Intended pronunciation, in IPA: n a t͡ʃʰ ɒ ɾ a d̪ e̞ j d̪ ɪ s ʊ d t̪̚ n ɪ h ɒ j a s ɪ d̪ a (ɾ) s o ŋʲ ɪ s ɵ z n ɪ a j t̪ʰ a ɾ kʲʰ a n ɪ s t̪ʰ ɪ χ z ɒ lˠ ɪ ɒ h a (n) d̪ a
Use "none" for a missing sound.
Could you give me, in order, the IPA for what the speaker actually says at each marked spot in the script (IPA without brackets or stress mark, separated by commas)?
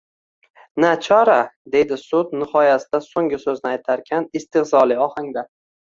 none, ŋ